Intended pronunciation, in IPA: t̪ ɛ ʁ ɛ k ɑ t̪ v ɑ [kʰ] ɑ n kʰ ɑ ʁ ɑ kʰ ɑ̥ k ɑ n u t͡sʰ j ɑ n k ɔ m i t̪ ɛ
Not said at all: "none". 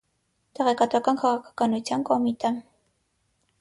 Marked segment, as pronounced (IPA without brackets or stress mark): k